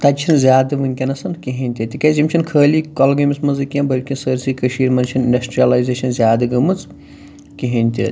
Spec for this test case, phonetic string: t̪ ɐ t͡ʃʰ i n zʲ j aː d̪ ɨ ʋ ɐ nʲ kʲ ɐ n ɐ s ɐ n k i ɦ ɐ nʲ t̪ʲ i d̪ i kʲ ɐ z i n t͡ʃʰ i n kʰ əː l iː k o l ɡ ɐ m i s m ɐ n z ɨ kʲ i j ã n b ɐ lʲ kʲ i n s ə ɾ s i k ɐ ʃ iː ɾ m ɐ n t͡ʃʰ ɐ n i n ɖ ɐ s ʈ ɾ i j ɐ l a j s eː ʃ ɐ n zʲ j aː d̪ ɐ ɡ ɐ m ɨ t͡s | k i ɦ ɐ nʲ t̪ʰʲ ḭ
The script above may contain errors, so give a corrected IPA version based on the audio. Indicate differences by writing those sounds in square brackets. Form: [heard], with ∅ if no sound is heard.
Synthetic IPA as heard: t̪ ɐ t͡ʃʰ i n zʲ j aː d̪ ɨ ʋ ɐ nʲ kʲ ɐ n ɐ s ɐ n k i ɦ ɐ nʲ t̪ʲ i [t̪] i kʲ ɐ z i [m] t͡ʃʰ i n kʰ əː l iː k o l ɡ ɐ m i s m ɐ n z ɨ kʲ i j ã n b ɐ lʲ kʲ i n s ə ɾ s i k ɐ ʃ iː ɾ m ɐ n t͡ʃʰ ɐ n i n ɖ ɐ s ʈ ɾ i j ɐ l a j [z] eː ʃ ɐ n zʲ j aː d̪ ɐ ɡ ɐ m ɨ t͡s | k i ɦ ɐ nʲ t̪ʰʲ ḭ

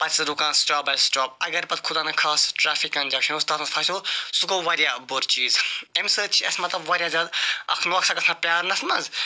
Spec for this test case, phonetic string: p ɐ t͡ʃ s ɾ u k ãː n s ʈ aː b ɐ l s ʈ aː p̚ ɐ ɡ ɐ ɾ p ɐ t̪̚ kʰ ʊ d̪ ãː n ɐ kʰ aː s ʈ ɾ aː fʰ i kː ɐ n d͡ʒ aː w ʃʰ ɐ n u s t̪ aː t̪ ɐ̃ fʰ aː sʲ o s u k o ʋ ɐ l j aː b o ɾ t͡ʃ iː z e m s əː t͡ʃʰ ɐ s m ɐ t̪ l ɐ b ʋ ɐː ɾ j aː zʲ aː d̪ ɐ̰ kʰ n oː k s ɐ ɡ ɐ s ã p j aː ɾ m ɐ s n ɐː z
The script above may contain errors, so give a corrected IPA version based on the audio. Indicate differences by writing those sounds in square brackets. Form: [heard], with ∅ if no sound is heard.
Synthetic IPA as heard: p ɐ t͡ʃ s ɾ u k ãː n s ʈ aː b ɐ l s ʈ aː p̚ ɐ ɡ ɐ ɾ p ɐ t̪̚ kʰ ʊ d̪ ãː n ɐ kʰ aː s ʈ ɾ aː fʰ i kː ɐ n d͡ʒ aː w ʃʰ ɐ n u s t̪ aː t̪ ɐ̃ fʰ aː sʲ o s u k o ʋ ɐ [ɾ] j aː b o ɾ t͡ʃ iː z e m s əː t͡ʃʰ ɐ s m ɐ t̪ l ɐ b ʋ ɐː ɾ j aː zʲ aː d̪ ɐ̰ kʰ n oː k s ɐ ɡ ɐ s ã p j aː ɾ [n] ɐ s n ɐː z

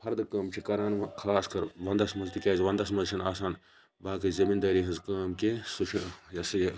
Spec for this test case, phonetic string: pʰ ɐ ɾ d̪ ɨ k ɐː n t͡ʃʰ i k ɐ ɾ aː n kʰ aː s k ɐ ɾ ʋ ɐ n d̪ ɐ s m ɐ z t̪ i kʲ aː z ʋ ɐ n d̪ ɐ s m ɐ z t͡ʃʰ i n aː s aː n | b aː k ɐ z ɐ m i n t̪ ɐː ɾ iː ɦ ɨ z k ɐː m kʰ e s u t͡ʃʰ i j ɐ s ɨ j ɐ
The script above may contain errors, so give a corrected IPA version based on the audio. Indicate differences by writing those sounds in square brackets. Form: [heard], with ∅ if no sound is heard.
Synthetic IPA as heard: pʰ ɐ ɾ d̪ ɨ k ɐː [m] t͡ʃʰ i k ɐ ɾ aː n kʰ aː s k ɐ ɾ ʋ ɐ n d̪ ɐ s m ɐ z t̪ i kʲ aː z ʋ ɐ n d̪ ɐ s m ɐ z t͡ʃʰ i n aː s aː n | b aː k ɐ z ɐ m i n [d̪] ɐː ɾ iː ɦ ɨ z k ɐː m [k] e s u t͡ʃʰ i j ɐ s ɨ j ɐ

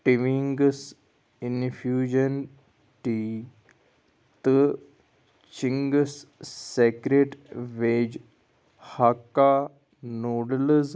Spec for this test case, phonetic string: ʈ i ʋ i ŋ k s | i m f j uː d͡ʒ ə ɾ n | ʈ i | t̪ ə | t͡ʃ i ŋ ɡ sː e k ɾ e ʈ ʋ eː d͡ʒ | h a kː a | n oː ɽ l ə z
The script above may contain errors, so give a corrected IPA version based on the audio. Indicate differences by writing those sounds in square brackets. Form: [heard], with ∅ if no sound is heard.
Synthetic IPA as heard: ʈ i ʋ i ŋ [ɡ] s | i [n] f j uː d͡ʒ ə [∅] n | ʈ i | t̪ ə | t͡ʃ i ŋ ɡ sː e k ɾ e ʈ ʋ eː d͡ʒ | h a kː a | n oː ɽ l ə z

